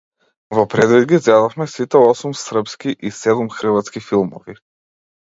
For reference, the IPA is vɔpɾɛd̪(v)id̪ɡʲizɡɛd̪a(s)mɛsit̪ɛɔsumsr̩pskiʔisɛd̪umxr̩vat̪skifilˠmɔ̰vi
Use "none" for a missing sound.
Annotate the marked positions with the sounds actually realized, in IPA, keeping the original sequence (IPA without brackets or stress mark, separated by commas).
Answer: v, f